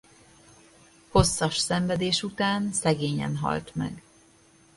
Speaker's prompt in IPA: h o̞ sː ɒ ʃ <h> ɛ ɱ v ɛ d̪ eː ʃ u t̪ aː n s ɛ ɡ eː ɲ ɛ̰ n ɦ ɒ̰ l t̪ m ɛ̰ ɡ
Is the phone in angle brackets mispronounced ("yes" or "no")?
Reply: yes